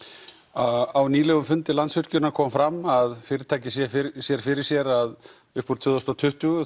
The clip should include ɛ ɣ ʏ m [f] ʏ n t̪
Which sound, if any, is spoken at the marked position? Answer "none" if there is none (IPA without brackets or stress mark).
f